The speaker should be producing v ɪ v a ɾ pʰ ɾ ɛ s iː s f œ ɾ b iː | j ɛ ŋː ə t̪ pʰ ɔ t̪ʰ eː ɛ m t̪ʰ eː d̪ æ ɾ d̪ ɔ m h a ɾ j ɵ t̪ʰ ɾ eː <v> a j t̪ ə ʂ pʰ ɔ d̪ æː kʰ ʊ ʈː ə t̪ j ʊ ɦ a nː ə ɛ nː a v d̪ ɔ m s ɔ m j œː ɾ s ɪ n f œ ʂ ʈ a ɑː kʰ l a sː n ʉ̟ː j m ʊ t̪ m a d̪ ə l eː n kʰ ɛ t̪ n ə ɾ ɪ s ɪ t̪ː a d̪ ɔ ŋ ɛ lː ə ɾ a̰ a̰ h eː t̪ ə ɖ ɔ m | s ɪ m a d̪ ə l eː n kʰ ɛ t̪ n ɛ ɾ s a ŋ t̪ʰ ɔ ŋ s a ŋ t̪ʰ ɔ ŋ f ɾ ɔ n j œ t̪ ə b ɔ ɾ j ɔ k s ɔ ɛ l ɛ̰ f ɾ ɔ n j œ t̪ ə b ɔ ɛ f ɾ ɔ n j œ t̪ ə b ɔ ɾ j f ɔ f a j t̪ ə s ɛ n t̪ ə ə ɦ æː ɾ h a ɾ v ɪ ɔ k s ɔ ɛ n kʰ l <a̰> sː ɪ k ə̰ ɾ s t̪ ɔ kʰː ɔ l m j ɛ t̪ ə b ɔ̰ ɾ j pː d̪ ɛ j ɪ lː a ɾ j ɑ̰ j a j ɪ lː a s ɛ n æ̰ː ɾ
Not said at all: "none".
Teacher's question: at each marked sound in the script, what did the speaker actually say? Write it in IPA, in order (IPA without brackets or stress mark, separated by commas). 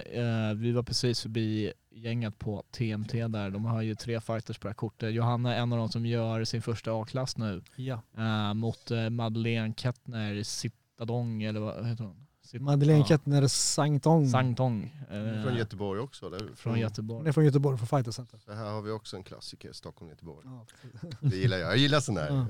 f, a̰